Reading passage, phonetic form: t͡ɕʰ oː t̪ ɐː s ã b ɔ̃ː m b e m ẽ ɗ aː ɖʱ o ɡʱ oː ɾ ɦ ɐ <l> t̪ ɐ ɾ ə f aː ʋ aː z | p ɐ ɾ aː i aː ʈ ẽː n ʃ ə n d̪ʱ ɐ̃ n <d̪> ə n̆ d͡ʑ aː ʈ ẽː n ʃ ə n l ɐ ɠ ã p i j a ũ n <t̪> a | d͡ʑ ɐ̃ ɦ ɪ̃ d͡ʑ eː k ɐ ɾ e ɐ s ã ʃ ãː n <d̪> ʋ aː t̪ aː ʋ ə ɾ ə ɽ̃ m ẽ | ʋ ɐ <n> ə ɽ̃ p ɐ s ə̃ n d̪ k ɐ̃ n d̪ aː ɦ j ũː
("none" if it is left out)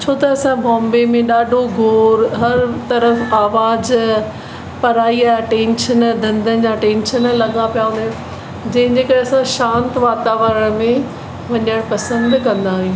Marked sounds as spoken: ɾ, d̪, d̪, t̪, ɲ

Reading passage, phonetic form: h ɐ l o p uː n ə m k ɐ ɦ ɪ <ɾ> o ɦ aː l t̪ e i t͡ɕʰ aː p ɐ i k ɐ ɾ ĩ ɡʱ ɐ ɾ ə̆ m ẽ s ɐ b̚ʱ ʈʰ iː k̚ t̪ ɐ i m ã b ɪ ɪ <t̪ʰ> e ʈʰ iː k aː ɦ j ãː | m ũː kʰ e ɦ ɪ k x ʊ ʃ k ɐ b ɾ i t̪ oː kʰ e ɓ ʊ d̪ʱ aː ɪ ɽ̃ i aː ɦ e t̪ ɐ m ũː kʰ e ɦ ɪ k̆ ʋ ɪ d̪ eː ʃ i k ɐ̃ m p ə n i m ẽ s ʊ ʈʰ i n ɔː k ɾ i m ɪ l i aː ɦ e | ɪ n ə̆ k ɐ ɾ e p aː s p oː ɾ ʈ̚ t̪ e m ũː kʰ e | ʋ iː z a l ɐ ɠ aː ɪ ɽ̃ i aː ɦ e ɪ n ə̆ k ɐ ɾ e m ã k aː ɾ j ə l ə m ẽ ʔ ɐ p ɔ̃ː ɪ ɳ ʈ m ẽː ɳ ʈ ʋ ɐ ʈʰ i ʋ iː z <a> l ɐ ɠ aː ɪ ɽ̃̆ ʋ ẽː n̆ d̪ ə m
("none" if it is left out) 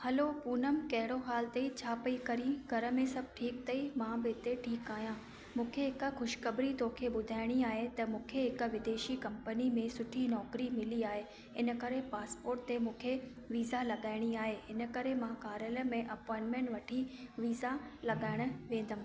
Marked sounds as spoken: ɽ, t̪, a

